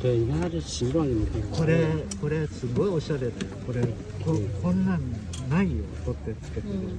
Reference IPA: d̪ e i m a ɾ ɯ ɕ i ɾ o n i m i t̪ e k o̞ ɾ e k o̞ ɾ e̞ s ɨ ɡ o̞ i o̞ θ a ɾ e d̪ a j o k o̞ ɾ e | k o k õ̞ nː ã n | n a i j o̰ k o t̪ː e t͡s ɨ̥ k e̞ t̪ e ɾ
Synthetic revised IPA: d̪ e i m a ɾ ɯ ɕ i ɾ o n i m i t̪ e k o̞ ɾ e k o̞ ɾ e̞ s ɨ ɡ o̞ i o̞ ɕ a ɾ e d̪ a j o k o̞ ɾ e | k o k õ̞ nː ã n | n a i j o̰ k o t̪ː e t͡s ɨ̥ k e̞ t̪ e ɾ